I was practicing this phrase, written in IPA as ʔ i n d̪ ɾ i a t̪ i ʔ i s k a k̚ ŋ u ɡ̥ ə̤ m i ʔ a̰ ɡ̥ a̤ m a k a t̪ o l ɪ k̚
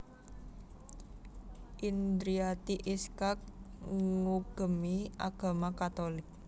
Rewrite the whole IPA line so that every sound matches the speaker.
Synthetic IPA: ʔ i n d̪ ɾ i a t̪ i ʔ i s k a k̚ ŋ u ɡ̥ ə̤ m i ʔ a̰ ɡ̥ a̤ m a k a t̪ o l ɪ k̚

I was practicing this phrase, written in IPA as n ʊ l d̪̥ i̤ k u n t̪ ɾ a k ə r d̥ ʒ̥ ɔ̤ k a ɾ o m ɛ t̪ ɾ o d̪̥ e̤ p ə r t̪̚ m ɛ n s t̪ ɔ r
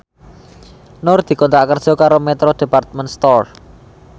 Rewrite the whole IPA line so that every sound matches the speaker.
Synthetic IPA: n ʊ r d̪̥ i̤ k ɔ n t̪ ɾ a k ə r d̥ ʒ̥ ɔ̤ k a ɾ o m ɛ t̪ ɾ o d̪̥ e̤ p a r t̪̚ m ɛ n s t̪ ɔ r

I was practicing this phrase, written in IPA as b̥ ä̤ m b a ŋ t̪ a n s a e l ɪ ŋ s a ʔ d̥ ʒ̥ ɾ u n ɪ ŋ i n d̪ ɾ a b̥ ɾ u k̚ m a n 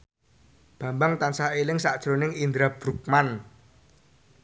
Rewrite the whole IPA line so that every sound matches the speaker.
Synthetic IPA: b̥ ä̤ m b a ŋ t̪ a n s a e l ɪ ŋ s a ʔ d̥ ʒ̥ ɾ o n ɪ ŋ i n d̪ ɾ a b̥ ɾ u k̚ m a n

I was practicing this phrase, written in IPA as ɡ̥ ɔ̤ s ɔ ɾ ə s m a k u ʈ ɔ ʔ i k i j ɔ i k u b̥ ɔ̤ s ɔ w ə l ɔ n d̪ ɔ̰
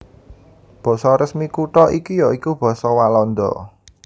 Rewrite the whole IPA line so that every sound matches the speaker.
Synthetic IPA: b̥ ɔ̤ s ɔ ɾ ə s m i k u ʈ ɔ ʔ i k i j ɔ i k u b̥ ɔ̤ s ɔ w a l ɔ n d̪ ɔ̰

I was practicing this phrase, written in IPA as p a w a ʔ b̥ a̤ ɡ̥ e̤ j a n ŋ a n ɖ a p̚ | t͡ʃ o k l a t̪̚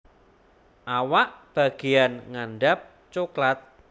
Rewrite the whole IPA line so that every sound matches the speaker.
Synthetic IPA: ʔ a w a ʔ b̥ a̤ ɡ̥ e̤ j a n ŋ a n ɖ a p̚ | t͡ʃ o k l a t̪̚

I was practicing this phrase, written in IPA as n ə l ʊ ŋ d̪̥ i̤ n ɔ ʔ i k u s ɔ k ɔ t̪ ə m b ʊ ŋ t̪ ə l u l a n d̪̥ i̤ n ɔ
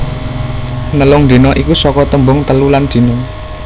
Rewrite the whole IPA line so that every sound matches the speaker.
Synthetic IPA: n ə l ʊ ŋ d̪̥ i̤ n ɔ ʔ i k u s ɔ k ɔ t̪ ə m b ʊ ŋ t̪ ə l u l a n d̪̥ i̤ n ɔ

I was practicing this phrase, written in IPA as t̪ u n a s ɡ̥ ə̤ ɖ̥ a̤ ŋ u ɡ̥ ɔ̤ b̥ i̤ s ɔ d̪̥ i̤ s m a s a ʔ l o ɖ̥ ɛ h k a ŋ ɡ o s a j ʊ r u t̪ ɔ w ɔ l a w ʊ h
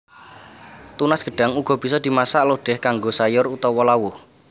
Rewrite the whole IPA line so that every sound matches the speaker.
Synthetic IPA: t̪ u n a s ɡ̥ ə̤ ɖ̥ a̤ ŋ u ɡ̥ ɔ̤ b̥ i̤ s ɔ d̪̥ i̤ m a s a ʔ l o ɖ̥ ɛ h k a ŋ ɡ o s a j ʊ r u t̪ ɔ w ɔ l a w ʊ h

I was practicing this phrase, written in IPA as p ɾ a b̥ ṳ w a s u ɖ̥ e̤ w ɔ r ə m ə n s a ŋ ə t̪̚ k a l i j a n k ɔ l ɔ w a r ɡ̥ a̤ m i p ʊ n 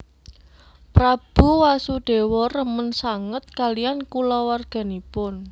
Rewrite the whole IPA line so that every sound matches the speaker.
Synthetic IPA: p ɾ a b̥ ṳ w a s u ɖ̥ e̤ w ɔ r ə m ə n s a ŋ ə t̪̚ k a l i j a n k u l ɔ w a r ɡ̥ a̤ n i p ʊ n

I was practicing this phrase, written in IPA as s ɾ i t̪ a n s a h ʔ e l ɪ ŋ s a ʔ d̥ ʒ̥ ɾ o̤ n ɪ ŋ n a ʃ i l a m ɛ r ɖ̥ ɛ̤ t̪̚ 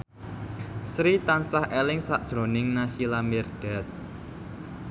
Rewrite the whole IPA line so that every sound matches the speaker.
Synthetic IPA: s ɾ i t̪ a n s a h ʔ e l ɪ ŋ s a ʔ d̥ ʒ̥ ɾ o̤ n ɪ ŋ n a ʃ i l a m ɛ r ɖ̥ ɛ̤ t̪̚

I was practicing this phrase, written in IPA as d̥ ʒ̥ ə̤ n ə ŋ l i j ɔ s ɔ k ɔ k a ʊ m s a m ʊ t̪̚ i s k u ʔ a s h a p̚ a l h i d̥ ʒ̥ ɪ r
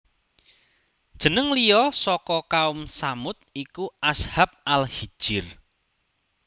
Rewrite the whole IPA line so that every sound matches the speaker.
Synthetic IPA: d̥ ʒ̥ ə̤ n ə ŋ l i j ɔ s ɔ k ɔ k a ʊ m s a m ʊ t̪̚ i k u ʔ a s h a p̚ a l h i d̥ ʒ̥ ɪ r

